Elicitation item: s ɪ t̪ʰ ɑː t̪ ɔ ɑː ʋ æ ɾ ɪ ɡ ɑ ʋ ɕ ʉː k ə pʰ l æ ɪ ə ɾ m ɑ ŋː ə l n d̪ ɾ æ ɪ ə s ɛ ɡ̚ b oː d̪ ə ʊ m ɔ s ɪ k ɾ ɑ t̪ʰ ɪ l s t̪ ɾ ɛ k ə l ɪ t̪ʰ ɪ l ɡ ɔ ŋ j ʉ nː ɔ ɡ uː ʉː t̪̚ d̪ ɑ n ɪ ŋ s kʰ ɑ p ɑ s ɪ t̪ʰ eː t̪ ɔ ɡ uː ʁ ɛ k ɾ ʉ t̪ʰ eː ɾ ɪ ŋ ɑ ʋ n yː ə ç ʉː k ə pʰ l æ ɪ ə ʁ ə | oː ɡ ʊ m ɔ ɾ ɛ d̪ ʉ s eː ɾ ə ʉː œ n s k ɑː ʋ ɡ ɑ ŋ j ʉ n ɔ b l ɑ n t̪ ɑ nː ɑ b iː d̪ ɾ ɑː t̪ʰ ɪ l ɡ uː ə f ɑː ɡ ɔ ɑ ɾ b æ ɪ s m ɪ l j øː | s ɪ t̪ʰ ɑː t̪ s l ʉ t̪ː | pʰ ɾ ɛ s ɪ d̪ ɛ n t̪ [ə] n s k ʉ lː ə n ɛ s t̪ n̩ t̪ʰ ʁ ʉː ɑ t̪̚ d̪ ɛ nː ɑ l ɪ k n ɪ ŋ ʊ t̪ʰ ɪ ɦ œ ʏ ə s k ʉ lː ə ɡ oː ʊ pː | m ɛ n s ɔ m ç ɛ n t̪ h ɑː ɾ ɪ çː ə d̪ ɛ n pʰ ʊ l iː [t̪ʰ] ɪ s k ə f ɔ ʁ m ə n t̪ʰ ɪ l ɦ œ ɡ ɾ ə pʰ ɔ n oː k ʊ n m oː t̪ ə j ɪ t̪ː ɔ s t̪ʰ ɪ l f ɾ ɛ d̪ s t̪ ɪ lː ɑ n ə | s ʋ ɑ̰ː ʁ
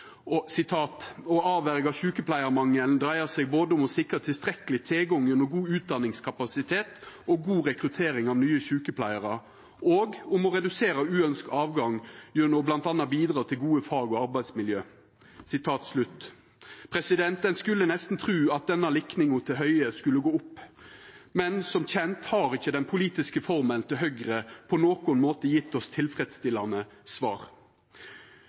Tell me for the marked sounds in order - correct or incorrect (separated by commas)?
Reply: correct, incorrect